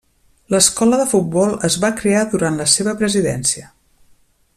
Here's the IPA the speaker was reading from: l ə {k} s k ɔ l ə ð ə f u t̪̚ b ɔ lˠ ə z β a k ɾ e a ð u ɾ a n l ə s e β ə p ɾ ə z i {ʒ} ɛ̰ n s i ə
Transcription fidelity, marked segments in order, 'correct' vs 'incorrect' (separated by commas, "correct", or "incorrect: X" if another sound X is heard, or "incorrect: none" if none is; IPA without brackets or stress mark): incorrect: none, incorrect: ð